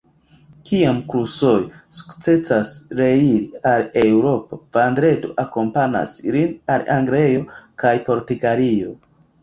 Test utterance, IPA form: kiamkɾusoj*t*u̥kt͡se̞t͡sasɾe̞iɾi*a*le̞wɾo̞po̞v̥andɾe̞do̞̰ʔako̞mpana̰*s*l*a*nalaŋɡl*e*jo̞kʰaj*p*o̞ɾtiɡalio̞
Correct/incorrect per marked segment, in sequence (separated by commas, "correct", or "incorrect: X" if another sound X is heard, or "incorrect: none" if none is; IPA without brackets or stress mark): incorrect: s, correct, correct, incorrect: i, correct, correct